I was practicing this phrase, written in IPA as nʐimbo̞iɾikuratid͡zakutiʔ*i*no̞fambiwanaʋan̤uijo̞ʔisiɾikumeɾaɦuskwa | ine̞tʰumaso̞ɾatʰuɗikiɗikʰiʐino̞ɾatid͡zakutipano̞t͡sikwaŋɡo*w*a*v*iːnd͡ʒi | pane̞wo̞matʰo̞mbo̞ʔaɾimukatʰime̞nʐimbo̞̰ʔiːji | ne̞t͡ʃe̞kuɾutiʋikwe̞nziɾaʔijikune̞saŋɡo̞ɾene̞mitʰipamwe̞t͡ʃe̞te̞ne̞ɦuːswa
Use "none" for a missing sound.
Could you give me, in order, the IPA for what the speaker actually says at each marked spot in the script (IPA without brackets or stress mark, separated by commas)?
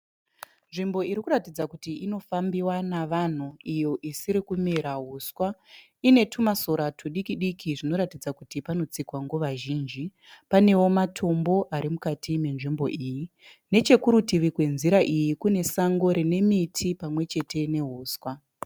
i, ʋ, ʒ